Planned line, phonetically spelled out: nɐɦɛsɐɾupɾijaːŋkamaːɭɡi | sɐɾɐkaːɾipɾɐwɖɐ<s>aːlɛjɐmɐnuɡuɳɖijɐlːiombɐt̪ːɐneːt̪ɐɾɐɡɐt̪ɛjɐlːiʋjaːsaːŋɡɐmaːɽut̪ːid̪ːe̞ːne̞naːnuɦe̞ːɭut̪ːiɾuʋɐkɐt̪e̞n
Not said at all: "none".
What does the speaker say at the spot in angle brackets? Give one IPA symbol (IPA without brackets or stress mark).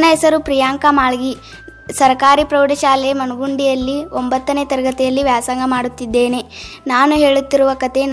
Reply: ʃ